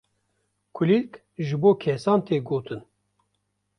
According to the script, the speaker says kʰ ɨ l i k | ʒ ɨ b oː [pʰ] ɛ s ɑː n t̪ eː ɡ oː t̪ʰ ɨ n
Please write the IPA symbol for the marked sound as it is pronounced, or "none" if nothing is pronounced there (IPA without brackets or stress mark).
kʰ